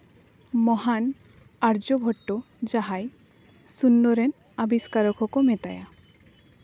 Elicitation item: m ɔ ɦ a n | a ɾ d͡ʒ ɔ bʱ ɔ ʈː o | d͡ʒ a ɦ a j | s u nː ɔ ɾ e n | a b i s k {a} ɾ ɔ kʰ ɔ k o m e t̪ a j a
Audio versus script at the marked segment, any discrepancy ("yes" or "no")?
no